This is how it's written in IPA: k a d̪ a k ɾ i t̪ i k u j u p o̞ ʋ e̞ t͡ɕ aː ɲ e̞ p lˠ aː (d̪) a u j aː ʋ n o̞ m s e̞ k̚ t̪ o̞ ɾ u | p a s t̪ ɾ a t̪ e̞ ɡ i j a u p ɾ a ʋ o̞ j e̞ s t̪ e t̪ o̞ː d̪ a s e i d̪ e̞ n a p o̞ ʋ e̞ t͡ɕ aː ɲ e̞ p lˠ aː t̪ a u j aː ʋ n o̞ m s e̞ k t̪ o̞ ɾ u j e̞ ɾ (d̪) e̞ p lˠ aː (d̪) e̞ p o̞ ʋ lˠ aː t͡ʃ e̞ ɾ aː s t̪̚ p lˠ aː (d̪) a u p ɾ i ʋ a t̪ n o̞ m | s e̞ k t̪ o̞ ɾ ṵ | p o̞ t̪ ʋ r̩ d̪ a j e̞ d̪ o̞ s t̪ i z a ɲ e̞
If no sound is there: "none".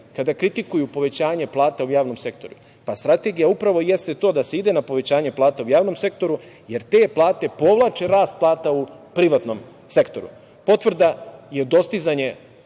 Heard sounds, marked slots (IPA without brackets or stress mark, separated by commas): t̪, t̪, t̪, t̪